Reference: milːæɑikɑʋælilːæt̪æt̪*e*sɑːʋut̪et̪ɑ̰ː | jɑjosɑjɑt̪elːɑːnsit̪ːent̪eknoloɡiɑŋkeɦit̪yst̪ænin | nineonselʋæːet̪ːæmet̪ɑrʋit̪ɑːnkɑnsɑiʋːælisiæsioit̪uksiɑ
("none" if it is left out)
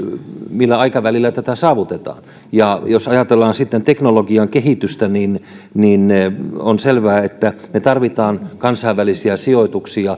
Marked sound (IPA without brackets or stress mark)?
æ